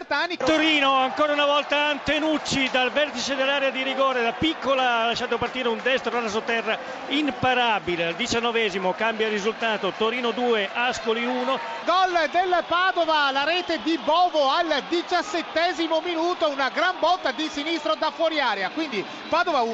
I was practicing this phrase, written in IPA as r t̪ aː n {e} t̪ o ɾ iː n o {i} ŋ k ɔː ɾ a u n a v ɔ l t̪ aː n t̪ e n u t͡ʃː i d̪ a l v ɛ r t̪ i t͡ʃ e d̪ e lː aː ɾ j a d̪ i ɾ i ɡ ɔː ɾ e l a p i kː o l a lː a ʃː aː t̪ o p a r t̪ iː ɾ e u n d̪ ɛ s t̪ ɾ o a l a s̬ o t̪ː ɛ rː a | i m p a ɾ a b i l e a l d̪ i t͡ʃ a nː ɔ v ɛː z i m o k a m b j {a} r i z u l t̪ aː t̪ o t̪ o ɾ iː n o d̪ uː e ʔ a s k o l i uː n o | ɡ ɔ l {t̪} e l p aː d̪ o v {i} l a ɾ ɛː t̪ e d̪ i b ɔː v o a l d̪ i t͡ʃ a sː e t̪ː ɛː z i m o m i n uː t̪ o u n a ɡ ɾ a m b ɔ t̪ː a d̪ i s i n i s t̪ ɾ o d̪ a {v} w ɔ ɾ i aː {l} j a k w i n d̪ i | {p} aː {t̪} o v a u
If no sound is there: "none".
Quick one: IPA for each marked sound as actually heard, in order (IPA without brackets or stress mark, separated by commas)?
i, a, a, d̪, a, f, ɾ, p, d̪